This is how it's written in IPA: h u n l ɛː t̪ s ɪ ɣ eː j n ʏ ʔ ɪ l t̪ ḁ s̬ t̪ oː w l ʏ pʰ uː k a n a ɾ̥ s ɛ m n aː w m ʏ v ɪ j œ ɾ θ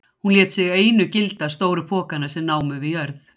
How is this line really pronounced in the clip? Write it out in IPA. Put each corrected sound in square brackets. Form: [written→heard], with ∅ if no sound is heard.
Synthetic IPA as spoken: h u n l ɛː t̪ s ɪ ɣ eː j n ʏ [ʔ→c] ɪ l t̪ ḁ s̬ t̪ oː w [l→ɾ] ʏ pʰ [uː→ɔː] k a n a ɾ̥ s ɛ m n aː w m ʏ v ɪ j œ ɾ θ